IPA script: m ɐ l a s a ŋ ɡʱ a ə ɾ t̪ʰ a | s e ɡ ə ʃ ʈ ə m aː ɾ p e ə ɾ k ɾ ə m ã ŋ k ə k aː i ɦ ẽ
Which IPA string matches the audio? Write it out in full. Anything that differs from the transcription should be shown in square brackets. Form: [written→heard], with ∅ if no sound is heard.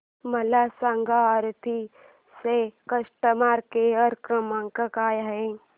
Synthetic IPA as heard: m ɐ l a s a ŋ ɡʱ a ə ɾ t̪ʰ [a→i] | s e [ɡ→k] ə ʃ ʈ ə m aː ɾ [p→k] e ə ɾ k ɾ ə m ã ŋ k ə k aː [i→j] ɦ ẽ

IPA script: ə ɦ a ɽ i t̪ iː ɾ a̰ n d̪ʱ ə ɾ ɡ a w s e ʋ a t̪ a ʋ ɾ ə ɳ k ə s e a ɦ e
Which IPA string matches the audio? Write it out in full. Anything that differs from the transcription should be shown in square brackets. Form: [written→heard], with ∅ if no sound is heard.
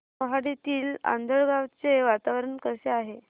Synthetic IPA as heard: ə ɦ a ɽ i t̪ iː [ɾ→l] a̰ n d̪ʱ ə [ɾ→ɭ] ɡ a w [s→t͡s] e ʋ a t̪ a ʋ ɾ ə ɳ k ə s e a ɦ e

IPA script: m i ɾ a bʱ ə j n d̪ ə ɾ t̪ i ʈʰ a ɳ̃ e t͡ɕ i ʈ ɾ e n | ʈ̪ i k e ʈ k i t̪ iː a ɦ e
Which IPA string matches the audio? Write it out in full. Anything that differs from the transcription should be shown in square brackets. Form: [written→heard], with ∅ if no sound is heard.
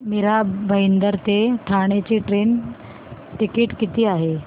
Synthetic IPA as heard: m i ɾ a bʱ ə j n d̪ ə ɾ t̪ [i→e] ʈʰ a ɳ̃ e t͡ɕ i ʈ ɾ e n | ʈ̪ i k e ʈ k i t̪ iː a ɦ e

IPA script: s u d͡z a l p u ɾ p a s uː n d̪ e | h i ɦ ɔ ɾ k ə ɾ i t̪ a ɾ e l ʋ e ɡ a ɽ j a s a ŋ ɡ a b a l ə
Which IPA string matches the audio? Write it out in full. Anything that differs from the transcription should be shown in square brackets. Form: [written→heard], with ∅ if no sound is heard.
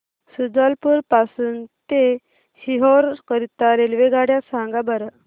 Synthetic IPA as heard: s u d͡z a l p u ɾ p a s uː n [d̪→t̪] e | h i ɦ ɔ ɾ k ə ɾ i t̪ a ɾ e l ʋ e ɡ a ɽ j a s a ŋ ɡ a b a [l→ɾ] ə

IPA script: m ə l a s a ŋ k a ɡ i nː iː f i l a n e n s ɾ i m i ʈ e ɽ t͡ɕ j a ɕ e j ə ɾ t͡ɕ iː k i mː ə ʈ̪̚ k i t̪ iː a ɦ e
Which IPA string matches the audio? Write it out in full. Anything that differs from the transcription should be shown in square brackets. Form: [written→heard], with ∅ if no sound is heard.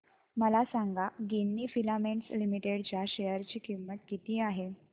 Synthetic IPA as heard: m ə l a s a ŋ [k→ɡ] a ɡ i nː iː f i l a [n→m] e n s [ɾ→l] i m i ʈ e ɽ t͡ɕ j a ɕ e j ə ɾ t͡ɕ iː k i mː ə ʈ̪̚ k i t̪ iː a ɦ e

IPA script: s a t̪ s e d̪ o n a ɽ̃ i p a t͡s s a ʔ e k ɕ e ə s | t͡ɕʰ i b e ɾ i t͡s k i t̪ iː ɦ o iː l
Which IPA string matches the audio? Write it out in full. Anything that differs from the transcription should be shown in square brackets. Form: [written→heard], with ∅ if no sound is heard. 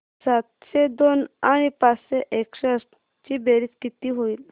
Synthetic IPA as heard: s a t̪ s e d̪ o n a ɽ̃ i p a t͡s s [a→e] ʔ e k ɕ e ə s | [t͡ɕʰ→t͡ɕ] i b e ɾ i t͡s k i t̪ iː ɦ o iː l

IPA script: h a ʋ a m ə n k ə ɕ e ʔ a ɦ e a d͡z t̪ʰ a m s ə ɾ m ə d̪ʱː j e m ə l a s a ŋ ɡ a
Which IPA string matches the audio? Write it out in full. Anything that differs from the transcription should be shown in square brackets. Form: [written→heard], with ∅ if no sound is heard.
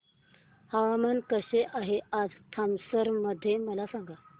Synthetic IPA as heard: h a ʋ a m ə n k ə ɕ e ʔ a ɦ e a d͡z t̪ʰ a m s ə ɾ m ə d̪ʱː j e m ə l a s a ŋ ɡ a

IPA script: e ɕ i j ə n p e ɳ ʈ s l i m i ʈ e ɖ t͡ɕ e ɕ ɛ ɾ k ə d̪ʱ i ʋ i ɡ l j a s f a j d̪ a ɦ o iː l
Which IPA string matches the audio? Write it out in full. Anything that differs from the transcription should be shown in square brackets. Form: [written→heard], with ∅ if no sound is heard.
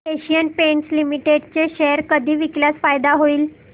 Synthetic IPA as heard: e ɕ i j ə n p e ɳ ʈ s l i m i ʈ e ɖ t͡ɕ e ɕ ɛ ɾ k ə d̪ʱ [i→iː] ʋ i [ɡ→k] l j a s f a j d̪ a ɦ o iː l

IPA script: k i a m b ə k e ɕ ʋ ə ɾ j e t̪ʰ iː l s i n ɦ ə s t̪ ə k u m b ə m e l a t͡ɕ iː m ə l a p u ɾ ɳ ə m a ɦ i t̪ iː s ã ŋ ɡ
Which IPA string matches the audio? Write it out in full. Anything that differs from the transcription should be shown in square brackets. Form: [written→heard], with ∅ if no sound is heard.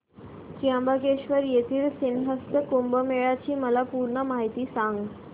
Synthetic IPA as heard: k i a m b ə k e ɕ ʋ ə ɾ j e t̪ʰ iː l s i n ɦ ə s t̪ ə k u m b ə m e [l→ɭ] a t͡ɕ iː m ə l a p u ɾ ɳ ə m a ɦ i t̪ iː s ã ŋ ɡ

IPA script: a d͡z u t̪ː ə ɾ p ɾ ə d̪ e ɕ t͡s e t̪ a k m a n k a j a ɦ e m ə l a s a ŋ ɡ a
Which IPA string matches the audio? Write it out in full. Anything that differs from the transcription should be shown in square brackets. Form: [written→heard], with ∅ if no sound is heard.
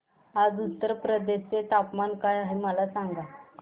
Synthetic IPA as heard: a d͡z u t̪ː ə ɾ p ɾ ə d̪ e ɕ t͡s e t̪ a [k→p] m a n k a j a ɦ e m ə l a s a ŋ ɡ a

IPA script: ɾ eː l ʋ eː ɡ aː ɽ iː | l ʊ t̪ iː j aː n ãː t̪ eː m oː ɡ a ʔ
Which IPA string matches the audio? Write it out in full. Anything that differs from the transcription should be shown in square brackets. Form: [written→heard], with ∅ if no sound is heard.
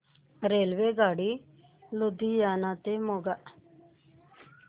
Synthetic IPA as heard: ɾ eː l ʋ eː ɡ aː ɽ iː | l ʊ [t̪→d̪] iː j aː n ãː t̪ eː m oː ɡ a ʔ

